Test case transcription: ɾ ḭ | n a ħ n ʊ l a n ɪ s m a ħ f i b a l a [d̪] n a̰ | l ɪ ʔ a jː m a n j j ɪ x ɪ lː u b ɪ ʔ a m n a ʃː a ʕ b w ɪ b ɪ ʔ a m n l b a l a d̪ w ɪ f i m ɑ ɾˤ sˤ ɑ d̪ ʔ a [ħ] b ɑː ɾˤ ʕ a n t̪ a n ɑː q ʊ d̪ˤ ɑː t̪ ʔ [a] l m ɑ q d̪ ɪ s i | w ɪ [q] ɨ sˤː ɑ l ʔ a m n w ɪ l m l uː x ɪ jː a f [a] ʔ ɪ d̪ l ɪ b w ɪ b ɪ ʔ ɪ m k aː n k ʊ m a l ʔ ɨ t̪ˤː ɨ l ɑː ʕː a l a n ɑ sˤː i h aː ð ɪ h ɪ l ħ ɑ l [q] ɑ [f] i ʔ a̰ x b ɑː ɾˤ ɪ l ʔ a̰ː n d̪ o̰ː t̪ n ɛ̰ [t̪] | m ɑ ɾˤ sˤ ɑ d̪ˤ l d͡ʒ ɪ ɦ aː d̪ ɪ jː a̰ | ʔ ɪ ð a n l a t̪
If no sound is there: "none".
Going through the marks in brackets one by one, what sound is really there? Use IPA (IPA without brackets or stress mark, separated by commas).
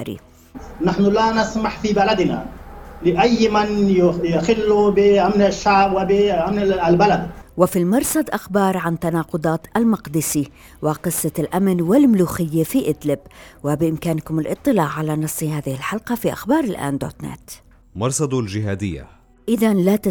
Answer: d̪, x, a, q, i, q, f, t̪